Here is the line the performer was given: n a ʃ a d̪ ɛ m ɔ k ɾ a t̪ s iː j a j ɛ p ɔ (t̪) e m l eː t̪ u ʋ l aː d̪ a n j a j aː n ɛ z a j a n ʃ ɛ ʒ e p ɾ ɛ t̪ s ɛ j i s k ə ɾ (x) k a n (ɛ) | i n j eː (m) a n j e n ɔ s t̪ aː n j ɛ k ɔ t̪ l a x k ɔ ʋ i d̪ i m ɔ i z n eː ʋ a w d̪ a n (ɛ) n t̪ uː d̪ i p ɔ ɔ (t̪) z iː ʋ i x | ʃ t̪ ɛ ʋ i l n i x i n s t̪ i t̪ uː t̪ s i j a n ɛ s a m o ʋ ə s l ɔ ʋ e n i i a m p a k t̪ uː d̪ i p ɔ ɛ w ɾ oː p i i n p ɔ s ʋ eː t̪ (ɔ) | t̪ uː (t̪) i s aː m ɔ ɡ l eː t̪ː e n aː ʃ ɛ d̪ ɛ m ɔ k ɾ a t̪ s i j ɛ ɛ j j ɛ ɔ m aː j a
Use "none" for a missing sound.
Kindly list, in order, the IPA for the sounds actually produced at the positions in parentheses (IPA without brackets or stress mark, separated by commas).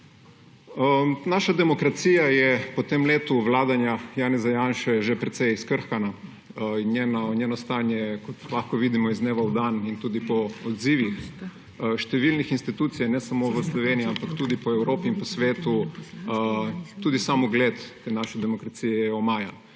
t̪, x, a, n, i, d̪, u, d̪